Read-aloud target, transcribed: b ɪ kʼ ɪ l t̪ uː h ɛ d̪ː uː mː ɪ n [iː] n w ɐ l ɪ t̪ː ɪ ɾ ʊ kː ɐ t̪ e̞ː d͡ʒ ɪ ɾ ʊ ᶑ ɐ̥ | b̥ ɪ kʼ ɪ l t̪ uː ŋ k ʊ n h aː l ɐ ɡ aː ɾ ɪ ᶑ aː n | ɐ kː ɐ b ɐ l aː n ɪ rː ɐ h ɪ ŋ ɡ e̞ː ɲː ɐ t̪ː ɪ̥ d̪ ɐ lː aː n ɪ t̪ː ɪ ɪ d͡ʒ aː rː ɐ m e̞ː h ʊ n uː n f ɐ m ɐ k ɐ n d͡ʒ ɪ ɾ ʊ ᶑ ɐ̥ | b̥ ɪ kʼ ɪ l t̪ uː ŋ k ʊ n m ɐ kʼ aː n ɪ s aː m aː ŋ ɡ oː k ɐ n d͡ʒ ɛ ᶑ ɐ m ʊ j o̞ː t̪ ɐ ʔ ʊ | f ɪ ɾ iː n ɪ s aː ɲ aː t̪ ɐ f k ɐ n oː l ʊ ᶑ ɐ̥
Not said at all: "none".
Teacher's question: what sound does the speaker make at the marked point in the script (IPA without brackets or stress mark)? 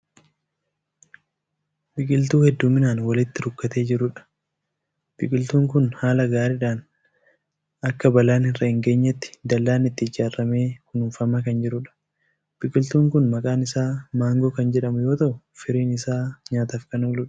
aː